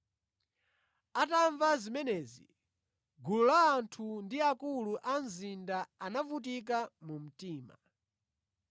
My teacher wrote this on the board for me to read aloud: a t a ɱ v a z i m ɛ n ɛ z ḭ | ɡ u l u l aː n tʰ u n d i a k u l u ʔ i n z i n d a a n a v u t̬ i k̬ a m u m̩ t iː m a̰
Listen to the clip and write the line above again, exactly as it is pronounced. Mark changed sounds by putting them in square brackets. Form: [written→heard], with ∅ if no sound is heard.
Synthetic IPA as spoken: a t a ɱ v a z i m ɛ n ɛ z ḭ | ɡ u l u l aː n tʰ u n d i a k u l u ʔ [i→a] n z i n d a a n a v u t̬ i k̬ a m u m̩ t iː m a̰